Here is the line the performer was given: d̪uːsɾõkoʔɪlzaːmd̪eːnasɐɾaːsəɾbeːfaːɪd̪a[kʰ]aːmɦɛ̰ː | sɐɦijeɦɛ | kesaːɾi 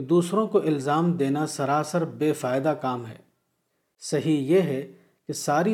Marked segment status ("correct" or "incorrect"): incorrect